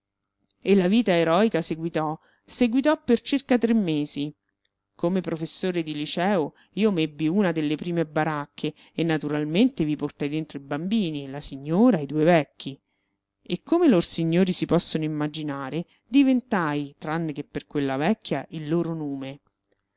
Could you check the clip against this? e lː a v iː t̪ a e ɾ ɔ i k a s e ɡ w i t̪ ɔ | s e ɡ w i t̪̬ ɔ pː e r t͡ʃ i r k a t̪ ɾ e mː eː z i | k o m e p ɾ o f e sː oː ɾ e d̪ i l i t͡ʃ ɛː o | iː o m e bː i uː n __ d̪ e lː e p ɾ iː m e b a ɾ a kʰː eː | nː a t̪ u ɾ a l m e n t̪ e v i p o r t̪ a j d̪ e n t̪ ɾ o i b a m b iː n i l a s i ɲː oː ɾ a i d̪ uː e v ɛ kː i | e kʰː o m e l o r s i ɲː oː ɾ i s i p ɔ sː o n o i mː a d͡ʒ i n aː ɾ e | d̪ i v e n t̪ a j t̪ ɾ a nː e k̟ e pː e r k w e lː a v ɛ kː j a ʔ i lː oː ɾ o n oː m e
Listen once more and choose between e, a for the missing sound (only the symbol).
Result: a